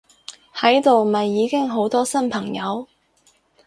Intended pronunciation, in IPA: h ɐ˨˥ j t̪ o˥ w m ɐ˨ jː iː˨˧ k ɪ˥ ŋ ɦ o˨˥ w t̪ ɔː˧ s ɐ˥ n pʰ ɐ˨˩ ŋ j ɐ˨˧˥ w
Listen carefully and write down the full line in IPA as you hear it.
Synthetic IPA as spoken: h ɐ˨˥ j t̪ o˨ w m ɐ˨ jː iː˨˧ k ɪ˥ ŋ ɦ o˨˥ w t̪ ɔː˥ s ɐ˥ n pʰ ɐ˨˩ ŋ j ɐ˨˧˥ w